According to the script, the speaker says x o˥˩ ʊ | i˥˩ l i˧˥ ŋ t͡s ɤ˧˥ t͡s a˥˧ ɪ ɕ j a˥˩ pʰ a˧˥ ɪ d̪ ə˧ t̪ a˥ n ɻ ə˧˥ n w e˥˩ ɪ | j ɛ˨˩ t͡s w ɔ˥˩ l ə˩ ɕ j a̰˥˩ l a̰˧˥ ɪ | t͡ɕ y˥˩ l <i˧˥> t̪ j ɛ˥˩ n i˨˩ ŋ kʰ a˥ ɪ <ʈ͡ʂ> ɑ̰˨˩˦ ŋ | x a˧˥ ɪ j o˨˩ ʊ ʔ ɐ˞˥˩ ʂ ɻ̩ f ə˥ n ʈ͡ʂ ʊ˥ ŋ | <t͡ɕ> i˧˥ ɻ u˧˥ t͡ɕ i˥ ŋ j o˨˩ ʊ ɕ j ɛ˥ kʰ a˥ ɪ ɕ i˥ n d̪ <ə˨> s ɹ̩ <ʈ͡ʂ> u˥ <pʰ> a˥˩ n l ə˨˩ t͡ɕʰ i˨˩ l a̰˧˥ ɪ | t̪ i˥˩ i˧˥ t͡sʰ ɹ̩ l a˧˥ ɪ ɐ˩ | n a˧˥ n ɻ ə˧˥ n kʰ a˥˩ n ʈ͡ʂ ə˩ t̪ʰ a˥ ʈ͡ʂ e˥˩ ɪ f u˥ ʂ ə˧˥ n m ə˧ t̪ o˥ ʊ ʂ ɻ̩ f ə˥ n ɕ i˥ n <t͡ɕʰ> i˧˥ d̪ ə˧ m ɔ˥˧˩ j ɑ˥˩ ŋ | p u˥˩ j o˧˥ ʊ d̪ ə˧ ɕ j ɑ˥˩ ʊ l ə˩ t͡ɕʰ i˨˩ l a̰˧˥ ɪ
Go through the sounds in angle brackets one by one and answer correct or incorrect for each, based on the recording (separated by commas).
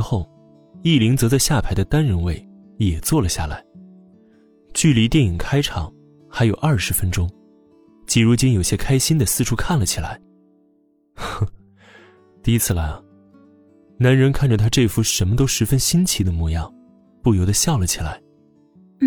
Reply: correct, incorrect, correct, correct, incorrect, incorrect, correct